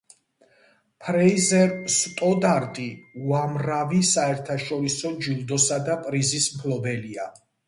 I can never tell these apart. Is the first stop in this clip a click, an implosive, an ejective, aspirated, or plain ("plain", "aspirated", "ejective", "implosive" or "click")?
aspirated